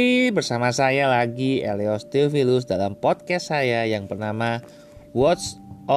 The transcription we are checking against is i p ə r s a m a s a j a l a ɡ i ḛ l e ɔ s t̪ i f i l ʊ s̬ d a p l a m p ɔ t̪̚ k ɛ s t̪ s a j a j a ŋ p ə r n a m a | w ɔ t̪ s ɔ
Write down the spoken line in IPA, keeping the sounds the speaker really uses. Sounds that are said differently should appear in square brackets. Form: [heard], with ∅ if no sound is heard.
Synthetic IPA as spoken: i [b] ə r s a m a s a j a l a ɡ i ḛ l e ɔ s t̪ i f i l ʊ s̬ d a [∅] l a m p ɔ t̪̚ k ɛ s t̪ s a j a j a ŋ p ə r n a m a | w ɔ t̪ s ɔ